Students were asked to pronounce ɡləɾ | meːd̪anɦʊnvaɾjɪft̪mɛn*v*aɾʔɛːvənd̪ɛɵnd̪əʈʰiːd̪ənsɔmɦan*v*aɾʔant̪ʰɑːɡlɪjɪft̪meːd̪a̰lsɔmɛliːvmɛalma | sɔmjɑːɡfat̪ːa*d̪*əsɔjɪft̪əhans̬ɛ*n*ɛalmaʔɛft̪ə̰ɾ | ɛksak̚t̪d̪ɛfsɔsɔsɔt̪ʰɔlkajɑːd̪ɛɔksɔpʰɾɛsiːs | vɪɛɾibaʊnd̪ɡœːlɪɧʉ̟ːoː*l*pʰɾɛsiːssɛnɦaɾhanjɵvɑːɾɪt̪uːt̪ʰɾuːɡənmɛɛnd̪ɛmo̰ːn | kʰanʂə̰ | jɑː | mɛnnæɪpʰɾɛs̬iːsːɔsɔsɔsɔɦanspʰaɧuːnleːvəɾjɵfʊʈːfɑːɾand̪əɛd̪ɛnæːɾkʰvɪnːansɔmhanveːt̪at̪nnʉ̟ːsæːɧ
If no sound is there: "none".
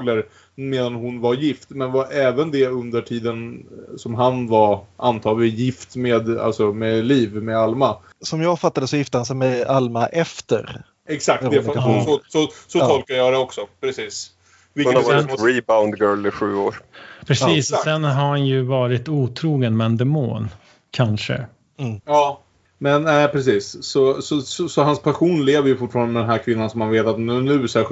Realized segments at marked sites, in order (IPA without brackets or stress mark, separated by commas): v, v, d̪, m, ɾ